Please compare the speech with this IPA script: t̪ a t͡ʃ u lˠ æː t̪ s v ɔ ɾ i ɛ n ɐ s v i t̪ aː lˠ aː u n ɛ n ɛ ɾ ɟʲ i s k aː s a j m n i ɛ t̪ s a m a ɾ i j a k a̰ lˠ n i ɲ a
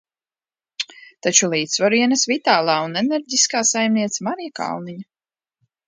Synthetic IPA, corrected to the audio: t̪ a t͡ʃ u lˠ iː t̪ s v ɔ ɾ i ɛ n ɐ s v i t̪ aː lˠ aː u n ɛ n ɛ ɾ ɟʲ i s k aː s a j m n i ɛ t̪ s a m a ɾ i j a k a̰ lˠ n i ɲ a